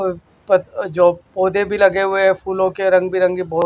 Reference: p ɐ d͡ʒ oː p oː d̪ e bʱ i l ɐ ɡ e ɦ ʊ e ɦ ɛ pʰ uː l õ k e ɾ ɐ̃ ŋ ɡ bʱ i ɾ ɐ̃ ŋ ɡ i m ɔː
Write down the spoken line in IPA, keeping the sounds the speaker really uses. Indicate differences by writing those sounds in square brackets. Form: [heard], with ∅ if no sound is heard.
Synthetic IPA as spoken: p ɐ d͡ʒ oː p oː d̪ e bʱ i l ɐ ɡ e ɦ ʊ e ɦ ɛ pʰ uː l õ k e ɾ ɐ̃ ŋ ɡ bʱ i ɾ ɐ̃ ŋ ɡ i [b] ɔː